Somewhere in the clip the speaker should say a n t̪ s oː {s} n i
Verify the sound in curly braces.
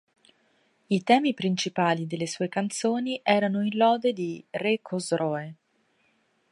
incorrect: none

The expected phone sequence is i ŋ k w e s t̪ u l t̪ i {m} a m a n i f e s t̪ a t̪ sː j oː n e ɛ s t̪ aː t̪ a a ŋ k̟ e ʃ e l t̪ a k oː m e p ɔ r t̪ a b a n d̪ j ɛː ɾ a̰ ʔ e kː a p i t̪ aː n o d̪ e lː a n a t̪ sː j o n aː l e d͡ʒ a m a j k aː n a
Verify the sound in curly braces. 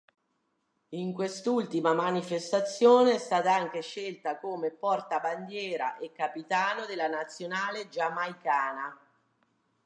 correct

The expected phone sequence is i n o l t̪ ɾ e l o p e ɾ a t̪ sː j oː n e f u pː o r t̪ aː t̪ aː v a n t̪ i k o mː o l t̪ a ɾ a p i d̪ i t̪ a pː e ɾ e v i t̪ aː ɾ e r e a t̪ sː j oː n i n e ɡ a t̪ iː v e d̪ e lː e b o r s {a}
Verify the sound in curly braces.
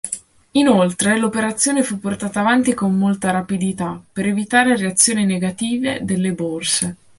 incorrect: e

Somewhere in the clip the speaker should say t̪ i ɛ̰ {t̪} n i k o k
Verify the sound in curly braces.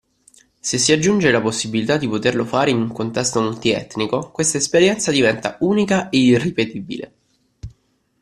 correct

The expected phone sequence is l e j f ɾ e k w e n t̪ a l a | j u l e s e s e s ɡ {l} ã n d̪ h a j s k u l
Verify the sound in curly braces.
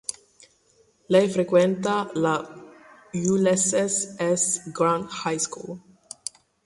incorrect: ɾ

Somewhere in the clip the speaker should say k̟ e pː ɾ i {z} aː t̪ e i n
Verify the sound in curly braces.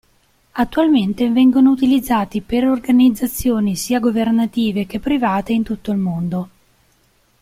incorrect: v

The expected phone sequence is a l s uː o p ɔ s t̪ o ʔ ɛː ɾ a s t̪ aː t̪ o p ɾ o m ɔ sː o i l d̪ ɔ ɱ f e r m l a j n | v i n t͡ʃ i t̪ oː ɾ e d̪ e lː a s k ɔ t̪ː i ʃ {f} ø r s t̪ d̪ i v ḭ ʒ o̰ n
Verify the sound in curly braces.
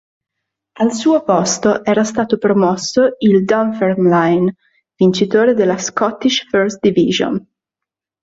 correct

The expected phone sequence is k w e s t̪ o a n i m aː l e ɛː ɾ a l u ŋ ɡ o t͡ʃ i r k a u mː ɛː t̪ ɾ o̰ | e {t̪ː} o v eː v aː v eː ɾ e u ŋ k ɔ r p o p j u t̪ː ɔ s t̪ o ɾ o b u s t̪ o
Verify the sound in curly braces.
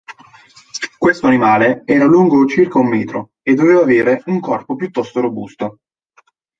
incorrect: d̪ː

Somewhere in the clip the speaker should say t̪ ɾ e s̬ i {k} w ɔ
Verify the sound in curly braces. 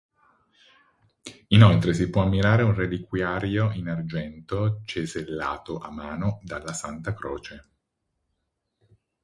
incorrect: p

